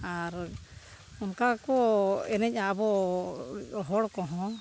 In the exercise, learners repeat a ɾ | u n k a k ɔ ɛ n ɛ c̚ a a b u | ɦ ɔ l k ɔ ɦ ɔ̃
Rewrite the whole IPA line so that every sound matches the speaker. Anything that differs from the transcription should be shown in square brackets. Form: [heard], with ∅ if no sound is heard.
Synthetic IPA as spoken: a ɾ | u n k a k ɔ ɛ n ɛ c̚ a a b [ɔ] | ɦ ɔ [ɽ] k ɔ ɦ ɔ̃